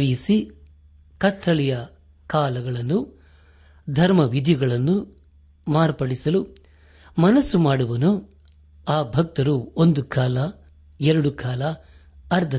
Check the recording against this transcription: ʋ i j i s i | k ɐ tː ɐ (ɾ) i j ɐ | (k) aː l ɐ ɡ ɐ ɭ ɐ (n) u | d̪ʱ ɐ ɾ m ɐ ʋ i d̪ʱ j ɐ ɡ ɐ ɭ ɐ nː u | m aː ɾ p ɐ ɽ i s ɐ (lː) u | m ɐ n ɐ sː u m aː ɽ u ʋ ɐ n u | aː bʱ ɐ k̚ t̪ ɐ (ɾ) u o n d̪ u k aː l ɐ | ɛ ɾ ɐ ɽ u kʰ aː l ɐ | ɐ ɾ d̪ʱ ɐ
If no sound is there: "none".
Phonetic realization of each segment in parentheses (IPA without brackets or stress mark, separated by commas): ɭ, k, nː, l, ɾ